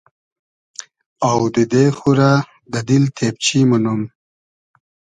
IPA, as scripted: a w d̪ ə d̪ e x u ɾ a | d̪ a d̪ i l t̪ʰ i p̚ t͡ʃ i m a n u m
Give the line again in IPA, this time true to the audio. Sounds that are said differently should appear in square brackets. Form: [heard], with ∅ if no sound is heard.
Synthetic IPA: a w d̪ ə d̪ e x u ɾ a | d̪ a d̪ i l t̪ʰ [e] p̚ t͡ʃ i m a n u m